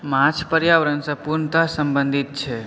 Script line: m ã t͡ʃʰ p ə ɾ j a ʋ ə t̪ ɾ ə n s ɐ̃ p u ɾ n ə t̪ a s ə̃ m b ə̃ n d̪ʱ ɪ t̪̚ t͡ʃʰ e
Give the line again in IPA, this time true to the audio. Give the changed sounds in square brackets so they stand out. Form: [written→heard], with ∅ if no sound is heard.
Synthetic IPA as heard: m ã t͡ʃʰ p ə ɾ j a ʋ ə [t̪→∅] ɾ ə n s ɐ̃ p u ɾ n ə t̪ a s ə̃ m b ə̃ n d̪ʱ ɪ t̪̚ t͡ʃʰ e